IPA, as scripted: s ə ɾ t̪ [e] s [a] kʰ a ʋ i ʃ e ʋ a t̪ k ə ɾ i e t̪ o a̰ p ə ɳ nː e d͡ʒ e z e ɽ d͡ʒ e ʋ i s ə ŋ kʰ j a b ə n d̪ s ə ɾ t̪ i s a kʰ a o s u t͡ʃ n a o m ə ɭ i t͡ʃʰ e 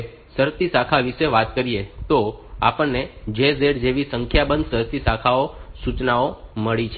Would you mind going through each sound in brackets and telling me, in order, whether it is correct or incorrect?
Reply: incorrect: i, correct

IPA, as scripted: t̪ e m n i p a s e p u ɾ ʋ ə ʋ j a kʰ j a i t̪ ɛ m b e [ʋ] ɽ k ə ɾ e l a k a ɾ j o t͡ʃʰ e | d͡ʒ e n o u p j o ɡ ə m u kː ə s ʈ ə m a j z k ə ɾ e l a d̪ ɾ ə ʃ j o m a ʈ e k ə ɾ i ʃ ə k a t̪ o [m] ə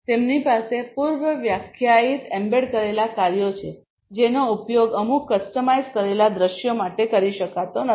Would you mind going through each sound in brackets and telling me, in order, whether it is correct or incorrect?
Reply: incorrect: none, incorrect: n

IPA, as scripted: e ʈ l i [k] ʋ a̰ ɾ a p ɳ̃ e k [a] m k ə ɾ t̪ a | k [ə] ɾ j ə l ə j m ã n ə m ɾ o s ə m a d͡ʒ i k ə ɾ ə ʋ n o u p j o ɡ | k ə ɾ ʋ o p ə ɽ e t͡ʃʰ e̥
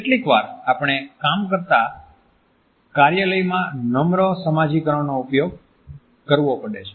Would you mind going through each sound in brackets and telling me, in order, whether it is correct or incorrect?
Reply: correct, correct, incorrect: a

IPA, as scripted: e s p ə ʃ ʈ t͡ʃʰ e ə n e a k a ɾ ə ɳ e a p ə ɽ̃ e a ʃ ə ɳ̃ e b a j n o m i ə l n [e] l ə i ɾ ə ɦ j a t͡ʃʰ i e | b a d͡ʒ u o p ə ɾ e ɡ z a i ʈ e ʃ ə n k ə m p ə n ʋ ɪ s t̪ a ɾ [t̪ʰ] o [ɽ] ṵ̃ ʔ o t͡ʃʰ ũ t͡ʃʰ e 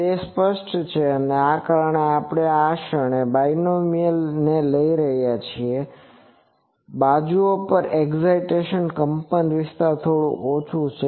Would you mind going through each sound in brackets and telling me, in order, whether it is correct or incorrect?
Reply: correct, correct, correct

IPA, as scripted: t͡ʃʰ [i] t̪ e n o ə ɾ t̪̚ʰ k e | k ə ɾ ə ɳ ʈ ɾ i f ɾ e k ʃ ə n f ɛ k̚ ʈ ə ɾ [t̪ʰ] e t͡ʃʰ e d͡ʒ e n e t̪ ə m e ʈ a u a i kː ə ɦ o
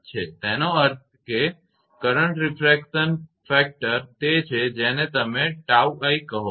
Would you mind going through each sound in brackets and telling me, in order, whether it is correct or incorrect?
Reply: incorrect: e, incorrect: t̪

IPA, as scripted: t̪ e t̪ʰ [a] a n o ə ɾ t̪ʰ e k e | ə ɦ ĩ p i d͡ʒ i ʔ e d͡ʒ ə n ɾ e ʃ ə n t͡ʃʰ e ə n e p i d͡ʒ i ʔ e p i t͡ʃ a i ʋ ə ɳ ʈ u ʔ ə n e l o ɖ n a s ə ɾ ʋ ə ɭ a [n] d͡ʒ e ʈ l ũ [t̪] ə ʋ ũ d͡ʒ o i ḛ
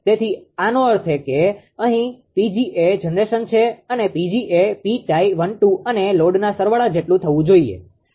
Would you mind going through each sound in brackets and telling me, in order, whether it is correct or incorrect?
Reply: incorrect: i, incorrect: none, incorrect: t̪ʰ

